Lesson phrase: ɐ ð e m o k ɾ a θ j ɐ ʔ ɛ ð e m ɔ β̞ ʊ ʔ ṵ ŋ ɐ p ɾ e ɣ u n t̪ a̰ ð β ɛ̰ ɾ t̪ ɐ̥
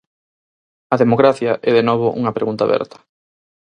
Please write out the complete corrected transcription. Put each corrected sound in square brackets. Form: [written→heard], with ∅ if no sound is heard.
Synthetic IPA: ɐ ð e m o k ɾ a θ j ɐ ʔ ɛ ð e [m→n] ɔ β̞ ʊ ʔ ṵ ŋ ɐ p ɾ e ɣ u n t̪ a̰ [ð→∅] β ɛ̰ ɾ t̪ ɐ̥